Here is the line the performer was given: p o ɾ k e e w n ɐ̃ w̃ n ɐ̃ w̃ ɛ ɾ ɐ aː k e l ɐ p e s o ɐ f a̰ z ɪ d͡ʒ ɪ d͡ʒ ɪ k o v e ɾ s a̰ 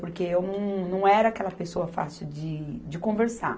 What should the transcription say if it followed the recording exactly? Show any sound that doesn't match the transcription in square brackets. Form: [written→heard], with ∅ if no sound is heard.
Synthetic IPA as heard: p o ɾ k e e w n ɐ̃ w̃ n ɐ̃ w̃ ɛ ɾ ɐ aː k [e→ɛ] l ɐ p e s o ɐ f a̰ [z→s] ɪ d͡ʒ ɪ d͡ʒ ɪ k [o→õ] v e ɾ s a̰